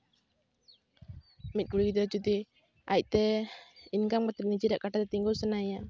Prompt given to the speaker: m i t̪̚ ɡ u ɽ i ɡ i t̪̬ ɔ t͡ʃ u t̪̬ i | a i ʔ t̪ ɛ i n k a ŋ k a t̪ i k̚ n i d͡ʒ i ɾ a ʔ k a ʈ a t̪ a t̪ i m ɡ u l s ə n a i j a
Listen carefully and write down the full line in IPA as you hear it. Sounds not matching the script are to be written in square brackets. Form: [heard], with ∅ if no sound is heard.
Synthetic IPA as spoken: m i t̪̚ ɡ u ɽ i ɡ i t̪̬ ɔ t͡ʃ u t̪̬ i | a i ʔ t̪ ɛ i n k a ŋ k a t̪ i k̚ n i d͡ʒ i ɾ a ʔ k a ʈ a t̪ [ɛ] t̪ i [ŋ] ɡ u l s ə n a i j a